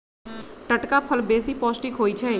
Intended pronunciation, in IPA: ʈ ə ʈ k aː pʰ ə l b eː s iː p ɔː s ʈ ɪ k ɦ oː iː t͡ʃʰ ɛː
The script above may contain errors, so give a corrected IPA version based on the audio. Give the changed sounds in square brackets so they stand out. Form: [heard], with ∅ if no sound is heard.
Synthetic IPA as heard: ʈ ə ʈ k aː pʰ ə l b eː s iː p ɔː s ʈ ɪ k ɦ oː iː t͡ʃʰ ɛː